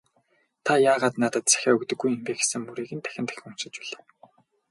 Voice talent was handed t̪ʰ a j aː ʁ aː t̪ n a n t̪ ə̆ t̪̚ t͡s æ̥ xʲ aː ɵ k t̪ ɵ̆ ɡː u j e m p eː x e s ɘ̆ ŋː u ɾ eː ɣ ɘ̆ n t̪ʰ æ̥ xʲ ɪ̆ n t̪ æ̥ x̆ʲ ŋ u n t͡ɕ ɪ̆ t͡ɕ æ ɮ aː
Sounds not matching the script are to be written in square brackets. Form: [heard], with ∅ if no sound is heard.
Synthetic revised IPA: t̪ʰ a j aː ʁ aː t̪ n a [∅] t̪ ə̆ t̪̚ t͡s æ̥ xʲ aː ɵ k t̪ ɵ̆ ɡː u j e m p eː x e s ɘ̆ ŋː u ɾ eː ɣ ɘ̆ n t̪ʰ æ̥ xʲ ɪ̆ n t̪ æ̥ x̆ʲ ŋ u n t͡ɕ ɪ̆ t͡ɕ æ ɮ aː